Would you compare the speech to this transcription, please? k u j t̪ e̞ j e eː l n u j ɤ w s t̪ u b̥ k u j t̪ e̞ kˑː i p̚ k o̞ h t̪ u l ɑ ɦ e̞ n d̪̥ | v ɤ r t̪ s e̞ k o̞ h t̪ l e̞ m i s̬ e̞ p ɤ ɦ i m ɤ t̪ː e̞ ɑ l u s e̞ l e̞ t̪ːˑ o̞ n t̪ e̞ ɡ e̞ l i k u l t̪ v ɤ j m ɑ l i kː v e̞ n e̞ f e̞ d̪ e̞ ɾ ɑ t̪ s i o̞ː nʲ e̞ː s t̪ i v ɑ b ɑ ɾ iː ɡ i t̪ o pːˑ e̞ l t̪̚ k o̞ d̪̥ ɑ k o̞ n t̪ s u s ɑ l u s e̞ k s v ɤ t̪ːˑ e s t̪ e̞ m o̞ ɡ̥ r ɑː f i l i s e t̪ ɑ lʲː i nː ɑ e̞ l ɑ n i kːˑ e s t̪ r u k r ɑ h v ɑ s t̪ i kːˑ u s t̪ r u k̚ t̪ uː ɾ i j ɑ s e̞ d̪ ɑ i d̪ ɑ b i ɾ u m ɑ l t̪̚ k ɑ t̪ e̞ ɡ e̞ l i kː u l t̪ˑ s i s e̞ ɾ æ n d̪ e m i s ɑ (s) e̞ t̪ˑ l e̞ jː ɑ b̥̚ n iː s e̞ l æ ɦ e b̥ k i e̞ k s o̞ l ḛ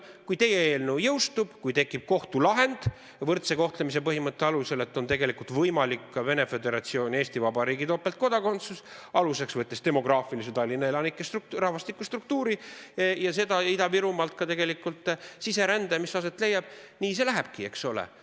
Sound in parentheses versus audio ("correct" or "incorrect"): correct